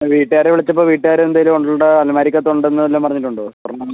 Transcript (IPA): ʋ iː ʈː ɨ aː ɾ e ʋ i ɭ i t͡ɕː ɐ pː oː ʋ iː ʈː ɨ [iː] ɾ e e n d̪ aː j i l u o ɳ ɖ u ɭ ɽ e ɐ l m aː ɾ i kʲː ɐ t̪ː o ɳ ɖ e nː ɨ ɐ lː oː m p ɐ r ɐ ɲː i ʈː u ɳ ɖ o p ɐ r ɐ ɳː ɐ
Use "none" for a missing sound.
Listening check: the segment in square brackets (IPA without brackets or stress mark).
aː